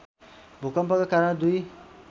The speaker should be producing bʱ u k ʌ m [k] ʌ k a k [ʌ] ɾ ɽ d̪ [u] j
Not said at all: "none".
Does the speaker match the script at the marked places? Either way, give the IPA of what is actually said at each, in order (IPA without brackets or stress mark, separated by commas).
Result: p, a, u